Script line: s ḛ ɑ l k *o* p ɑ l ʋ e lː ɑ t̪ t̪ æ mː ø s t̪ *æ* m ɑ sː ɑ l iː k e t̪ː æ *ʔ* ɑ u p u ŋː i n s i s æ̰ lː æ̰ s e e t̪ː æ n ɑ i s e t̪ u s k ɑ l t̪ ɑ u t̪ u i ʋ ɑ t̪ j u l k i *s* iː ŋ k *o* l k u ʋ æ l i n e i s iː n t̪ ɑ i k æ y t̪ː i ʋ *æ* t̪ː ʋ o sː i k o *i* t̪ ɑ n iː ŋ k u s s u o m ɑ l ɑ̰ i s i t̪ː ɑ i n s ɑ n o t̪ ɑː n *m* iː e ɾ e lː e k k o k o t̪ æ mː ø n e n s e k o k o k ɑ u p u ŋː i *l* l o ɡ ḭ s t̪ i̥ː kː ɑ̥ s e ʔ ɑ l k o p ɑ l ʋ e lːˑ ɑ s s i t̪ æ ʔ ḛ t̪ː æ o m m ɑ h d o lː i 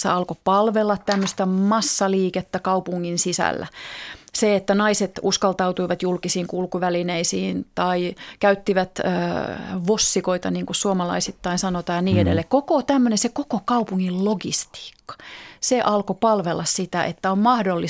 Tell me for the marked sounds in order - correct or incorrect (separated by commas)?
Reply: correct, correct, incorrect, correct, incorrect, correct, correct, incorrect, correct